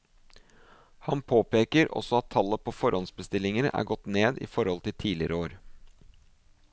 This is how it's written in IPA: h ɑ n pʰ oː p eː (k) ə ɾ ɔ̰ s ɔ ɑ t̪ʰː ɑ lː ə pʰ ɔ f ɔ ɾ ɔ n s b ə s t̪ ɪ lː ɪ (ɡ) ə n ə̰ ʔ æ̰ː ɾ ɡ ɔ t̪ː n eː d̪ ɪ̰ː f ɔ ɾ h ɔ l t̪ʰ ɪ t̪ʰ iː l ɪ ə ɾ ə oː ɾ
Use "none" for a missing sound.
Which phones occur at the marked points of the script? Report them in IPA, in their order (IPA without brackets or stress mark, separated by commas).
k, ŋ